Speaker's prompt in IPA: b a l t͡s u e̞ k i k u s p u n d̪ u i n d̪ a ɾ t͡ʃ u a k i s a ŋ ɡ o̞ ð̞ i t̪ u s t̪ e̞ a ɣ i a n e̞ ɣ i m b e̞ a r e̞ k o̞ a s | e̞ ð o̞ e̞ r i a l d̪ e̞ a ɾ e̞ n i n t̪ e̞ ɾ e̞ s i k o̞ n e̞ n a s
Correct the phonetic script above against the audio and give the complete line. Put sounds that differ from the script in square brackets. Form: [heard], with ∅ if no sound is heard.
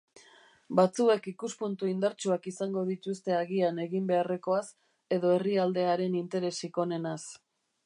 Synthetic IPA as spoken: b a [∅] t͡s u e̞ k i k u s p u n [t̪] u i n d̪ a ɾ t͡ʃ u a k i s a ŋ ɡ o̞ ð̞ i t̪ u s t̪ e̞ a ɣ i a n e̞ ɣ i m b e̞ a r e̞ k o̞ a s | e̞ ð o̞ e̞ r i a l d̪ e̞ a ɾ e̞ n i n t̪ e̞ ɾ e̞ s i k o̞ n e̞ n a s